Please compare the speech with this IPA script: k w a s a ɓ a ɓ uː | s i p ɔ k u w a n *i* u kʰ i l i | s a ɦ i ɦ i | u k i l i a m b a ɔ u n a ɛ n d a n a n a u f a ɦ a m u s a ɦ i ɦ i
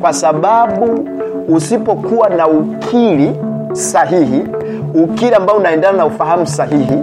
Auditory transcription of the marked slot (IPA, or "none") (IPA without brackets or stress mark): a